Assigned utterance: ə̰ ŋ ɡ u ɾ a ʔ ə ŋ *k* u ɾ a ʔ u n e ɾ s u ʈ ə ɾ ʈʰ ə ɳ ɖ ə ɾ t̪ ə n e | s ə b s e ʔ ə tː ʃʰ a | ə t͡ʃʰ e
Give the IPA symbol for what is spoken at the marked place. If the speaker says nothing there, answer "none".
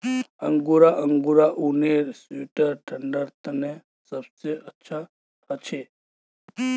ɡ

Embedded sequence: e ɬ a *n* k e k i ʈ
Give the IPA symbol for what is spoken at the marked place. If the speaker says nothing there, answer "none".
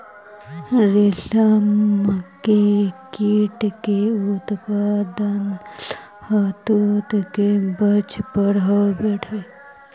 m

